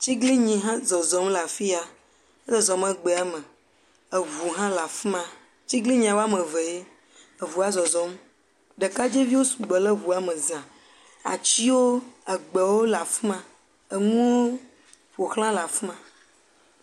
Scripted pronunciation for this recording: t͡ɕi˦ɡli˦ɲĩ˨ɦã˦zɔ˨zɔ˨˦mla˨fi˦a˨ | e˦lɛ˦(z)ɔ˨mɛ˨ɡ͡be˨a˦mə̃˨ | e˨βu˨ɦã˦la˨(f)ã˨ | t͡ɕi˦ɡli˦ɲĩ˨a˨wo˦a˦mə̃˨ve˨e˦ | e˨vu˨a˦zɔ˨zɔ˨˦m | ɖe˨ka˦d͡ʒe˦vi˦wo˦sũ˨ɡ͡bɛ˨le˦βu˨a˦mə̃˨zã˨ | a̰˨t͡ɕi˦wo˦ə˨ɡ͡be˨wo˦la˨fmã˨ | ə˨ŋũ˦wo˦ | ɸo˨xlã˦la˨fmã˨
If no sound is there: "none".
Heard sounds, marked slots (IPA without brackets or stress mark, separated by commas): z, f